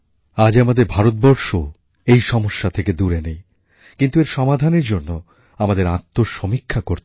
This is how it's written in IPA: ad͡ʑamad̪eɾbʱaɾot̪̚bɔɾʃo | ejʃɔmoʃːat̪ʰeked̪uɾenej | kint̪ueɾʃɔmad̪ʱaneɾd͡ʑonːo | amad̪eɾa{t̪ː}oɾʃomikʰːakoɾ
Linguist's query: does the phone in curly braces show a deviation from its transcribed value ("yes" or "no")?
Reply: no